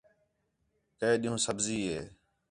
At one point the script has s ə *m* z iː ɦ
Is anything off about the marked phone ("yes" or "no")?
yes